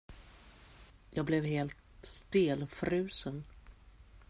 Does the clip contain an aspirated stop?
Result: no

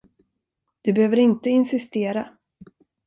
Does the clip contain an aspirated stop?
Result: no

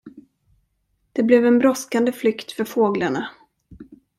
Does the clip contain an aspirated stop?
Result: no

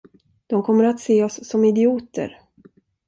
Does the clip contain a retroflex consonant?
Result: no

